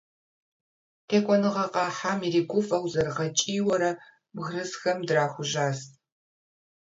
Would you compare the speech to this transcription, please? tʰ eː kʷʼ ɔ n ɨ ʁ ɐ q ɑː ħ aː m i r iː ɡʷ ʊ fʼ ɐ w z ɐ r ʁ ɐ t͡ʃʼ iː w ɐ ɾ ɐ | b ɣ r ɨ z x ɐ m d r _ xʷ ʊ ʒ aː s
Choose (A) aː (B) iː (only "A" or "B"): A